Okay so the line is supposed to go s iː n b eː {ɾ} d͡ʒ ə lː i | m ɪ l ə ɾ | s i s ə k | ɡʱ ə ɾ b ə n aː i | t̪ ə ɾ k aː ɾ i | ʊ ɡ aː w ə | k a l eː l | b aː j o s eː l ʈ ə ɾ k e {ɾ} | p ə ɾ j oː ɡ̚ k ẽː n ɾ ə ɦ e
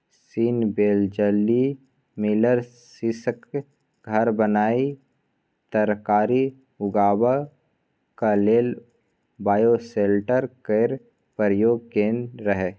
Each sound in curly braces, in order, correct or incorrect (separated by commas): incorrect, correct